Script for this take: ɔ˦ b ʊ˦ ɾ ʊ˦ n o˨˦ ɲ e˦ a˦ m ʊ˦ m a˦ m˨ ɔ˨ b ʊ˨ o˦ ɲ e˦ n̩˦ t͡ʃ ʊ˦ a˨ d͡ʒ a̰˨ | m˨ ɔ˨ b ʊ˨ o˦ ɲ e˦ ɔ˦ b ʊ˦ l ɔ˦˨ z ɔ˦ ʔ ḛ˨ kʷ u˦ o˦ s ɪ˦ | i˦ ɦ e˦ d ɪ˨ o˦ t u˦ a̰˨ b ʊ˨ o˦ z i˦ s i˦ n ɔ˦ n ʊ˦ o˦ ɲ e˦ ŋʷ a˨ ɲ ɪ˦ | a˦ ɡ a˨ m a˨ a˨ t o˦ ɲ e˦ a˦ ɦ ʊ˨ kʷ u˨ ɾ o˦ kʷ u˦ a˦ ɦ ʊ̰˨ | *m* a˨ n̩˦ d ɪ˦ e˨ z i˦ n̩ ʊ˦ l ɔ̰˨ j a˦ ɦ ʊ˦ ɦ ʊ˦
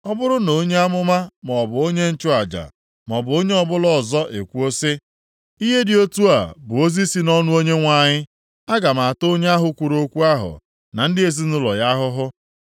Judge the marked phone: incorrect: n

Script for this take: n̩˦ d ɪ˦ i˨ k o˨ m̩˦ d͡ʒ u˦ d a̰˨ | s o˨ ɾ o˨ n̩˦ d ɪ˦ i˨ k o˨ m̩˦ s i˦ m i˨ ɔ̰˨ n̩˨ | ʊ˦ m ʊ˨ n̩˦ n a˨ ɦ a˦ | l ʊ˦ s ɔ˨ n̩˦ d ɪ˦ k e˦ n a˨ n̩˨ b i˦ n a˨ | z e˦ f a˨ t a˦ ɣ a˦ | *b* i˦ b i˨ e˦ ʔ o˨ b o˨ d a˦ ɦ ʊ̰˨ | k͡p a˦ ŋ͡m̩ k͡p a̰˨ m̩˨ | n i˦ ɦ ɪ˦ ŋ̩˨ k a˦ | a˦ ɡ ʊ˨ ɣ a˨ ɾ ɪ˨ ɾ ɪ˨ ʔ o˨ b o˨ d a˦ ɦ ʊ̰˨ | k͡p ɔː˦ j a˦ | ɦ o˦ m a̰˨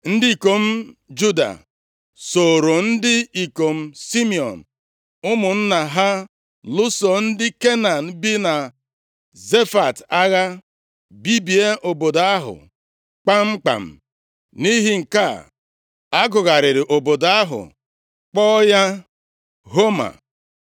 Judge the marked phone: correct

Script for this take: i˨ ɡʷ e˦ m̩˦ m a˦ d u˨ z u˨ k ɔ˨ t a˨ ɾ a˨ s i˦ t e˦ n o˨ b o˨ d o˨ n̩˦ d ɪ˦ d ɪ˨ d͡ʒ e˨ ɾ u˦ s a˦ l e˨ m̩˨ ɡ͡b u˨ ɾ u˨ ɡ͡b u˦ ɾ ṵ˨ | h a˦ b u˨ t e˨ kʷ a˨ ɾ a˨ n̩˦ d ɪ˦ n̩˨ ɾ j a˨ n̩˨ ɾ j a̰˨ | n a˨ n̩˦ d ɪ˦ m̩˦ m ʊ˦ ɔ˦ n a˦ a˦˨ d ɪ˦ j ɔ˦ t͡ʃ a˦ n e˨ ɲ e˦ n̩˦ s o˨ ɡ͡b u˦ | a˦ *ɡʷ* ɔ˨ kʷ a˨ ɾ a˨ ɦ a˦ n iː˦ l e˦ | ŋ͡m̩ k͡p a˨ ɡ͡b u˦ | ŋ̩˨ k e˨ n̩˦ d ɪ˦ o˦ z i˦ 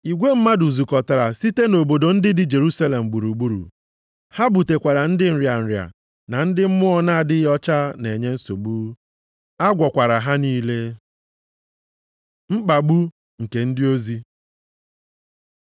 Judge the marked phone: correct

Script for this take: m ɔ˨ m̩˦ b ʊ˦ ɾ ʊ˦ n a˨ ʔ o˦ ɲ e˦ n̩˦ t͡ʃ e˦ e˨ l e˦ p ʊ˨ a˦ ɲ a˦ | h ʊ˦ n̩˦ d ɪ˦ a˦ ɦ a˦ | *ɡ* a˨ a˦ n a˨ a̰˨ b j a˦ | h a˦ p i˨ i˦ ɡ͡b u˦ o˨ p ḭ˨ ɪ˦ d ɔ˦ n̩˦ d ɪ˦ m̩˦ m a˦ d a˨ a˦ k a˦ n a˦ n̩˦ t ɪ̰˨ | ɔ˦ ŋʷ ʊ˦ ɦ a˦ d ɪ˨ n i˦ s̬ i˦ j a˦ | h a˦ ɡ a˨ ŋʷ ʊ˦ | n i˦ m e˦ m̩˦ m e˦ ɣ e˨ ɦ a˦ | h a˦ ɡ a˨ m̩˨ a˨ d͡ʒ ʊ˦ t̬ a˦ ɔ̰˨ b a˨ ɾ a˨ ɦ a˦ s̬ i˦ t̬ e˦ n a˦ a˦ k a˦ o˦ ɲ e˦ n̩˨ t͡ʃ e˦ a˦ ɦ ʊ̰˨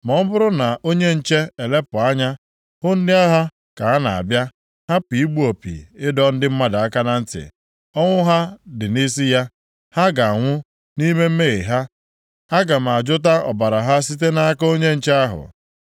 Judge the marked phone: incorrect: k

